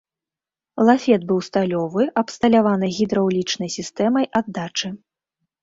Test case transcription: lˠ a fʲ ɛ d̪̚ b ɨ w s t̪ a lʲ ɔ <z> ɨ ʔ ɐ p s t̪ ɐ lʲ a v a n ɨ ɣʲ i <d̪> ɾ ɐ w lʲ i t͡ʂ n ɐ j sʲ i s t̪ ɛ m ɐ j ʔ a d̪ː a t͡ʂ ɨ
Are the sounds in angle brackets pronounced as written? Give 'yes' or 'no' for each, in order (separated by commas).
no, yes